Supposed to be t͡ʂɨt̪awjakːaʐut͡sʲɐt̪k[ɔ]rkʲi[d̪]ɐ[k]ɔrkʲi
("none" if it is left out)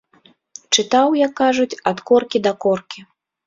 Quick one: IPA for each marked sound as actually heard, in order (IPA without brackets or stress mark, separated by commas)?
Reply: ɔ, d̪, k